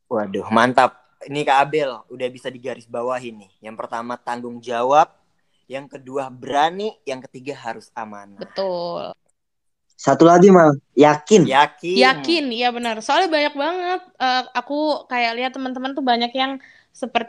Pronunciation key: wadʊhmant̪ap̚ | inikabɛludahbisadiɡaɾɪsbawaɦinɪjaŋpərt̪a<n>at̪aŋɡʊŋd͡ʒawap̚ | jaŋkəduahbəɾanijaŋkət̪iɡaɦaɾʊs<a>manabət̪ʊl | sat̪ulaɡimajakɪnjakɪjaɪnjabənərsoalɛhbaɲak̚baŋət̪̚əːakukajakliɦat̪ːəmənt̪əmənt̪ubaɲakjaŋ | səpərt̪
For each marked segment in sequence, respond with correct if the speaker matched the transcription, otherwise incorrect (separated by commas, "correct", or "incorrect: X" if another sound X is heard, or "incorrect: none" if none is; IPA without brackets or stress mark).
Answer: incorrect: m, correct